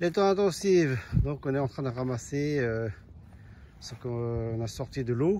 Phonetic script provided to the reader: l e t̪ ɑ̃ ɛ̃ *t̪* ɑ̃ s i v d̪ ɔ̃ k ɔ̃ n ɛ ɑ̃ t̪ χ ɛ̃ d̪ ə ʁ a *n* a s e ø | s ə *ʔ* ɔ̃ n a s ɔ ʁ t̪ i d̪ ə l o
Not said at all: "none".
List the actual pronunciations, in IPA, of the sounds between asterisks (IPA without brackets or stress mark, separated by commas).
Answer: t̪, m, k